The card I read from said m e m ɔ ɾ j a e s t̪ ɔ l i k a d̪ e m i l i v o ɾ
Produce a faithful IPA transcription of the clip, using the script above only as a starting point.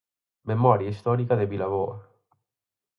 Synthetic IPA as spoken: m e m ɔ ɾ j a i s t̪ ɔ ɾ i k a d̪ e b i l a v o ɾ